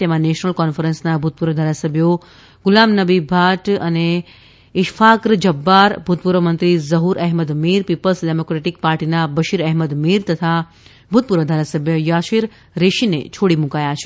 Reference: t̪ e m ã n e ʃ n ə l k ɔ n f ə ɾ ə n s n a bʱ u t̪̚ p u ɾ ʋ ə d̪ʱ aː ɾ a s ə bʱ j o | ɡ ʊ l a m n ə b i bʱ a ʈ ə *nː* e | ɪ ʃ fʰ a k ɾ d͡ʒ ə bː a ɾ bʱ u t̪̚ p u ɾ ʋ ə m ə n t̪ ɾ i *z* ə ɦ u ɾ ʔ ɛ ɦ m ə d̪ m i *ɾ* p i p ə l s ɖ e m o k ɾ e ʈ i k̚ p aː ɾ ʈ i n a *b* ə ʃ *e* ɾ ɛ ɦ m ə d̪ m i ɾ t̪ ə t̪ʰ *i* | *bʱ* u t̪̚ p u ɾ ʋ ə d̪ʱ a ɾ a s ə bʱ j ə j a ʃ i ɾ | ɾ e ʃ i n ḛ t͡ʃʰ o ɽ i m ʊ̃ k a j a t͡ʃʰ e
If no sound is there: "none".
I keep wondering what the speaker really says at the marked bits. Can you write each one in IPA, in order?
n, z, ɾ, b, i, a, bʱ

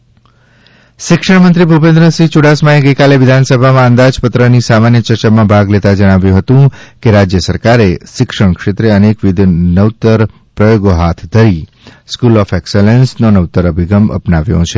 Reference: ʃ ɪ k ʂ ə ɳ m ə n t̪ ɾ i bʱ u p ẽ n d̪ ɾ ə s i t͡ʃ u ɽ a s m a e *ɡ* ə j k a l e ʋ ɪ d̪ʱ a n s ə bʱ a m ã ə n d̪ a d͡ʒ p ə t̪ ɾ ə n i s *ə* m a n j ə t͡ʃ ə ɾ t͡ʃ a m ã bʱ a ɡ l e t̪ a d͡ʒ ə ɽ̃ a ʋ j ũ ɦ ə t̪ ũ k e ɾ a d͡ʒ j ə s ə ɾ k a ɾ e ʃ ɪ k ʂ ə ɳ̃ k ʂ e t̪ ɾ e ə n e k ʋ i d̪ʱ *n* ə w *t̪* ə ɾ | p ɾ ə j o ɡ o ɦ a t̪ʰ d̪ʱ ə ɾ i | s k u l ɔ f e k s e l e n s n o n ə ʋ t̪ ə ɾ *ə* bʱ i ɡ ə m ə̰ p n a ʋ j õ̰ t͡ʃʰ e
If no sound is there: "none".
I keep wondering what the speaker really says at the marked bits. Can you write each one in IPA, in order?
ɡ, a, n, t̪, ə

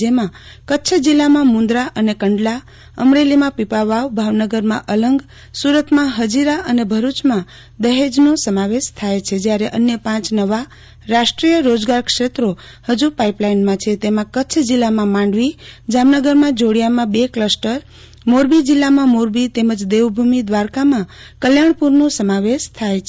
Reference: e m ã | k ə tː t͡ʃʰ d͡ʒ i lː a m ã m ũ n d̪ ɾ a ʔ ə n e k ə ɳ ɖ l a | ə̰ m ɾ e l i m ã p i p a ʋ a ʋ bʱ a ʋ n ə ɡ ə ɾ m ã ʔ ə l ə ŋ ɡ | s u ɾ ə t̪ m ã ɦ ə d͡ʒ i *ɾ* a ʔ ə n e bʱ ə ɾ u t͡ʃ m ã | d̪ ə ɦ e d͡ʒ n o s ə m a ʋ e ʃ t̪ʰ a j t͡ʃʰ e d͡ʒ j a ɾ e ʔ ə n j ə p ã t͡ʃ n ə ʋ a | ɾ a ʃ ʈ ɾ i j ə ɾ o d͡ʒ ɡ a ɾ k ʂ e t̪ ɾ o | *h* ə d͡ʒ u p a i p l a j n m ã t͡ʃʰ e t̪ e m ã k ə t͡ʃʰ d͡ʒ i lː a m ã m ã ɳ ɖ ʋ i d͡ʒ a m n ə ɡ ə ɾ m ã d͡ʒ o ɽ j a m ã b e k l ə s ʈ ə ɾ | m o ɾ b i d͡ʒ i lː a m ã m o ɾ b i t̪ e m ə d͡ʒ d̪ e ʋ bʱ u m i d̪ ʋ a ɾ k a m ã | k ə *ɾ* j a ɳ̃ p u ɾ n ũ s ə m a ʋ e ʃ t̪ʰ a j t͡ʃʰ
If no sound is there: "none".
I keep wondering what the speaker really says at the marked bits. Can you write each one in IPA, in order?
ɾ, h, l

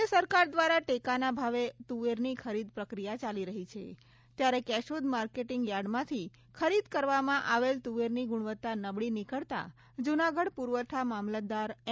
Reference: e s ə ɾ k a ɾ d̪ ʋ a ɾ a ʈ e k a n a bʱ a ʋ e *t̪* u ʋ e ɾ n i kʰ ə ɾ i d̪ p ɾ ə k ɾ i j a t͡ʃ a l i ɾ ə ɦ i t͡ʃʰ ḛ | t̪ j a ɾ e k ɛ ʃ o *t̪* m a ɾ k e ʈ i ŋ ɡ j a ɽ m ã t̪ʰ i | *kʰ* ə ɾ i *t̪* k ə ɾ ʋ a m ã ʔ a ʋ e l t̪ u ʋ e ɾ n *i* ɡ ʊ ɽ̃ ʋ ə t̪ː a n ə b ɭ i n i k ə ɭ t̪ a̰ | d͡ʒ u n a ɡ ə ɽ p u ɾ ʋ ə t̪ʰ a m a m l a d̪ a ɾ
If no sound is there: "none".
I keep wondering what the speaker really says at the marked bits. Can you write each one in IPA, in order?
t̪, d̪, kʰ, d̪, i

